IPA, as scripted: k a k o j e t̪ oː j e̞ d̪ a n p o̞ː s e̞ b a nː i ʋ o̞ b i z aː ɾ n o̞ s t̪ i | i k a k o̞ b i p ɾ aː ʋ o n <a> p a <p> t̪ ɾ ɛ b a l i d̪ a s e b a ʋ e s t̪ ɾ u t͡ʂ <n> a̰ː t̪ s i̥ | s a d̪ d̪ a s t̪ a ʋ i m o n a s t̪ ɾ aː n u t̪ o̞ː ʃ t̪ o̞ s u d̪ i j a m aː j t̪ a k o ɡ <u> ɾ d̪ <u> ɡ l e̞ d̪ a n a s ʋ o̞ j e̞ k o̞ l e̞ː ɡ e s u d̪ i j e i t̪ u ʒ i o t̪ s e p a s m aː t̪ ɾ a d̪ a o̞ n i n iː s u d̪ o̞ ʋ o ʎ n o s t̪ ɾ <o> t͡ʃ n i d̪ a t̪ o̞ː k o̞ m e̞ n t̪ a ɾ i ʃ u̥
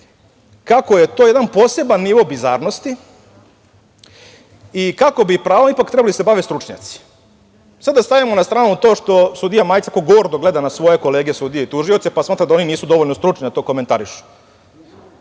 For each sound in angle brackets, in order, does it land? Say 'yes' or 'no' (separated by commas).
no, no, no, no, no, no